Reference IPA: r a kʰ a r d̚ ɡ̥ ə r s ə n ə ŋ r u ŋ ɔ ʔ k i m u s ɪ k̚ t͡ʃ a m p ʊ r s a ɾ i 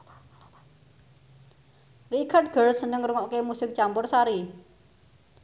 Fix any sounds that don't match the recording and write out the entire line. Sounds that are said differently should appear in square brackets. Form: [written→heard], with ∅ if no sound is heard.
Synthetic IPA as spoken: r [a→i] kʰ a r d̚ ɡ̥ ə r s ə n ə ŋ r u ŋ ɔ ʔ k [i→e] m u s ɪ k̚ t͡ʃ a m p ʊ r s a ɾ i